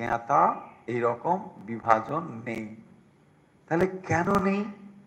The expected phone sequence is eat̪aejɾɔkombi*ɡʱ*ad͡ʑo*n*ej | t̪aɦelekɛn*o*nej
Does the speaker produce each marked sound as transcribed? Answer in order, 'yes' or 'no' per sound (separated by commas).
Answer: no, no, yes